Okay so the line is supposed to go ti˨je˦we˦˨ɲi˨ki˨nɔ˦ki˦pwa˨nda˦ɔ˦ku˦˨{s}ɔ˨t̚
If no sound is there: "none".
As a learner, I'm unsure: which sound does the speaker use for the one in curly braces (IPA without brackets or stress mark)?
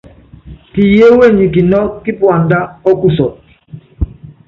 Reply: s